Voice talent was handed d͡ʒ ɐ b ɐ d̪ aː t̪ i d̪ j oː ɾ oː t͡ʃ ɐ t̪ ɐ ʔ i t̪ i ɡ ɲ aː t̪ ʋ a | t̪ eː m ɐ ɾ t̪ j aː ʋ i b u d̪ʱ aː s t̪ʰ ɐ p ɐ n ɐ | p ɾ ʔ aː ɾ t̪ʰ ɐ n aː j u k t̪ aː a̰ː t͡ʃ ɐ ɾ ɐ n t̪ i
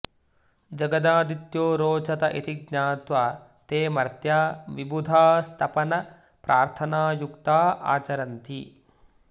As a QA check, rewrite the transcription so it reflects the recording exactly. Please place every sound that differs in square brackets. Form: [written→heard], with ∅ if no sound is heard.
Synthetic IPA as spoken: d͡ʒ ɐ [b→ɡ] ɐ d̪ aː [t̪→d̪] i [d̪→t̪] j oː ɾ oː t͡ʃ ɐ t̪ ɐ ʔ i t̪ i ɡ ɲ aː t̪ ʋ a | t̪ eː m ɐ ɾ t̪ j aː ʋ i b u d̪ʱ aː s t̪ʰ ɐ p ɐ n ɐ | p ɾ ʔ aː ɾ t̪ʰ ɐ n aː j u k t̪ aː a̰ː t͡ʃ ɐ ɾ ɐ n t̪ i